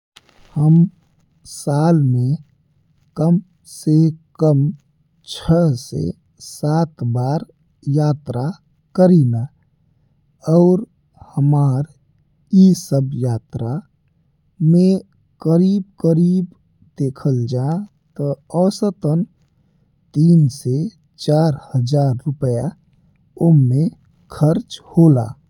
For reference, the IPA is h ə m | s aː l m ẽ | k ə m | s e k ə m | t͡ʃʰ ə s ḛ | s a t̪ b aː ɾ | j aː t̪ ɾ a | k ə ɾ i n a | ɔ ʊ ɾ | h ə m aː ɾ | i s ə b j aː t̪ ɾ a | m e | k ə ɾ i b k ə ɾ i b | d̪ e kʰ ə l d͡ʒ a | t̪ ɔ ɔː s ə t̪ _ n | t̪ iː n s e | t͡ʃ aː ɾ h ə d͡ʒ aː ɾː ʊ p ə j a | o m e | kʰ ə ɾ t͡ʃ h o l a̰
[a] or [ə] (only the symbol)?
ə